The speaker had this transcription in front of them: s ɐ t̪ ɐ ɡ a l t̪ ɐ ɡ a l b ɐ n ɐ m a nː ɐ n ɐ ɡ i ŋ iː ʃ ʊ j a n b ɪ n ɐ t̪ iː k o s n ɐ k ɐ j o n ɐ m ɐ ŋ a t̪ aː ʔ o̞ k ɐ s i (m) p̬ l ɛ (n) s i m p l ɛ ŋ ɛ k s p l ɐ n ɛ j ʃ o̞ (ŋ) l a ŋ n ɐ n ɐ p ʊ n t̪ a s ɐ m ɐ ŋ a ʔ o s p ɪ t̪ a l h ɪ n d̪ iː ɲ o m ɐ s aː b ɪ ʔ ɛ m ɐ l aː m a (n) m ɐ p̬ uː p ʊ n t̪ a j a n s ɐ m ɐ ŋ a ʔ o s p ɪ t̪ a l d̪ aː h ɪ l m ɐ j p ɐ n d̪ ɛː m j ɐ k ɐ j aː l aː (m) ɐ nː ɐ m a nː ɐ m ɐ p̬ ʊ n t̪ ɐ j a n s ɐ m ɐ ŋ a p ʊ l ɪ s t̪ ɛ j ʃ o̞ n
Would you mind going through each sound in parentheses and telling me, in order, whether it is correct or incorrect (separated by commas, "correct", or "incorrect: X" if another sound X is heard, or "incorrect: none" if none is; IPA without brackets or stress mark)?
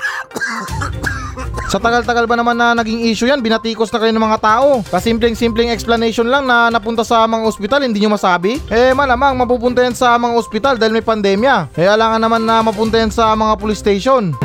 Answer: correct, incorrect: ŋ, incorrect: n, incorrect: ŋ, incorrect: ŋ